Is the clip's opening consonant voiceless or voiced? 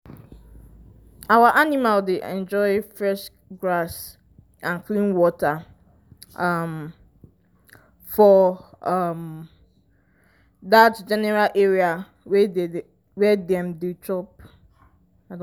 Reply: voiced